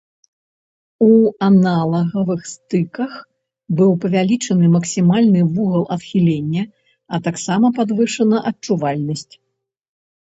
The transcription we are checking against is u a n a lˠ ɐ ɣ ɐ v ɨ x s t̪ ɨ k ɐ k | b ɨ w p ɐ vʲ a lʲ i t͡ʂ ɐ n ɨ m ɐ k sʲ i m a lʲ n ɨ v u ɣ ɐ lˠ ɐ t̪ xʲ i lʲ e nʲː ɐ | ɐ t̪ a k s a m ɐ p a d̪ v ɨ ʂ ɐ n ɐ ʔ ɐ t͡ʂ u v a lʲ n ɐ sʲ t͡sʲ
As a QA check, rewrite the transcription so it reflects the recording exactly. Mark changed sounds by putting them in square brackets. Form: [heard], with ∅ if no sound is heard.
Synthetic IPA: u a n a lˠ ɐ ɣ ɐ v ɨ x s t̪ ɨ k ɐ [x] | b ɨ w p ɐ vʲ a lʲ i t͡ʂ ɐ n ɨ m ɐ k sʲ i m a lʲ n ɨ v u ɣ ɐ lˠ ɐ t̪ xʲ i lʲ e nʲː ɐ | ɐ t̪ a k s a m ɐ p a d̪ v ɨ ʂ ɐ n ɐ ʔ ɐ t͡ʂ u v a lʲ n ɐ sʲ t͡sʲ